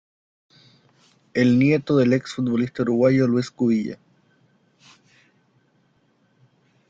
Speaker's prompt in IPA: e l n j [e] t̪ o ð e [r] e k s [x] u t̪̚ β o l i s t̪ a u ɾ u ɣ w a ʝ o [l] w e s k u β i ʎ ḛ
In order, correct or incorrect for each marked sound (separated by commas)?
correct, incorrect, incorrect, correct